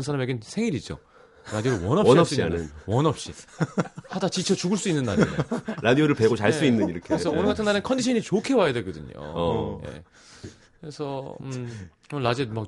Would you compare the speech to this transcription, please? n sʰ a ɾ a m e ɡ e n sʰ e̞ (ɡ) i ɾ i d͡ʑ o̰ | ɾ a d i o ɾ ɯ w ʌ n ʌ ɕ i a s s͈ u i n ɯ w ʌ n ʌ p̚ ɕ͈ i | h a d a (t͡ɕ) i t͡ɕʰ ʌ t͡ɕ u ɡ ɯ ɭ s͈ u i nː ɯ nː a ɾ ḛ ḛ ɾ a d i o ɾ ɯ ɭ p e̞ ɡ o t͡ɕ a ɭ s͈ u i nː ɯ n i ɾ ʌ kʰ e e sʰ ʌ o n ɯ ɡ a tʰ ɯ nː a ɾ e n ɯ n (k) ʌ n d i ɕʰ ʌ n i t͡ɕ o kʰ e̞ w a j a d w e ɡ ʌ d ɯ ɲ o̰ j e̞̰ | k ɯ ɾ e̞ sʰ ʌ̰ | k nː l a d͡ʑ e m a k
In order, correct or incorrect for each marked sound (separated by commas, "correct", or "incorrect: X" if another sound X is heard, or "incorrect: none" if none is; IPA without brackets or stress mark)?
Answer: incorrect: ŋ, correct, incorrect: kʰ